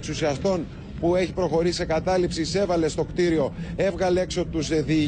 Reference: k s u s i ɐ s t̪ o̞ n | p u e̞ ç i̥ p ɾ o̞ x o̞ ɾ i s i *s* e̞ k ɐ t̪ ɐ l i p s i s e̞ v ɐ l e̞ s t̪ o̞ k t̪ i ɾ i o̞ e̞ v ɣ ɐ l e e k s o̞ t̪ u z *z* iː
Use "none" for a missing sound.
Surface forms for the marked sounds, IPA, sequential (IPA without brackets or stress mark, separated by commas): s, ð